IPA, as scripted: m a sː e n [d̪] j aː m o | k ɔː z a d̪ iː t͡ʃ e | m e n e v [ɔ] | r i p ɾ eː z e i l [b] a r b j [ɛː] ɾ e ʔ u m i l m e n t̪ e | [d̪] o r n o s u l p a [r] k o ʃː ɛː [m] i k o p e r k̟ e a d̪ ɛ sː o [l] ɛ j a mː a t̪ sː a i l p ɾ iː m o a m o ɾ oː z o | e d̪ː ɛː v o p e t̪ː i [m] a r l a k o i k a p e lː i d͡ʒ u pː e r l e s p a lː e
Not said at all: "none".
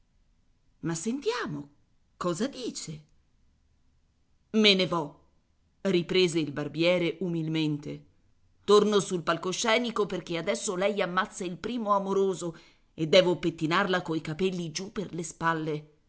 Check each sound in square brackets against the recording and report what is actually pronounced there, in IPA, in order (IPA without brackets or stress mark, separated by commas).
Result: t̪, ɔ, b, ɛː, t̪, l, n, l, n